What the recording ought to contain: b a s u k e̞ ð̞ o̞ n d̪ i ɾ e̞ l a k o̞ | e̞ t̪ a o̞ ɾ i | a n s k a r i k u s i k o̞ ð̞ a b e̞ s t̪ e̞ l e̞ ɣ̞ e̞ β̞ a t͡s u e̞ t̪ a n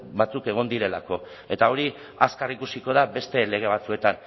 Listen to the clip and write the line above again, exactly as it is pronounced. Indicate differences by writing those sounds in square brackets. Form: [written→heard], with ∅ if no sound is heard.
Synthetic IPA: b a [s→t͡s] u k e̞ [ð̞→ɣ̞] o̞ n d̪ i ɾ e̞ l a k o̞ | e̞ t̪ a o̞ ɾ i | a [n→∅] s k a r i k u s i k o̞ ð̞ a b e̞ s t̪ e̞ l e̞ ɣ̞ e̞ β̞ a t͡s u e̞ t̪ a n